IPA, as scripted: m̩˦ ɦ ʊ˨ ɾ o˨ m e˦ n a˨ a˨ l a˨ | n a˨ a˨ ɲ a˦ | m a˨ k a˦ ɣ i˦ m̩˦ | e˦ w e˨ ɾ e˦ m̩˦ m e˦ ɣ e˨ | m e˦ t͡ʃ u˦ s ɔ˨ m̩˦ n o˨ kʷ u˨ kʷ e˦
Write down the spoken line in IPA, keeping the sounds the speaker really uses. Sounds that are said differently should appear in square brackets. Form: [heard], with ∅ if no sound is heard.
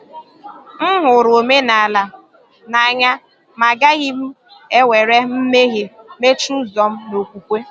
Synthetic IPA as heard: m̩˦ ɦ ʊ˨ ɾ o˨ m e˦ n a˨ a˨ l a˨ | n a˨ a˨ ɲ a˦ | m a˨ [ɡ] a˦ ɣ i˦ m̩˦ | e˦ w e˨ ɾ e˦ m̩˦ m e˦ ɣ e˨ | m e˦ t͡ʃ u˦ [z] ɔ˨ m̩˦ n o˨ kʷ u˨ kʷ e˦